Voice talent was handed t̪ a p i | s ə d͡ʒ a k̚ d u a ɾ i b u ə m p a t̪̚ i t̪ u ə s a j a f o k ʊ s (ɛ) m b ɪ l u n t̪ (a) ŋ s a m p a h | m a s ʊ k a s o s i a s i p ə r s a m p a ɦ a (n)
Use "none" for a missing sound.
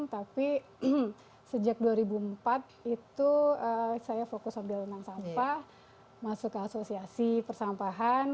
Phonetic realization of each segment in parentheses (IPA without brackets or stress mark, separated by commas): a, a, n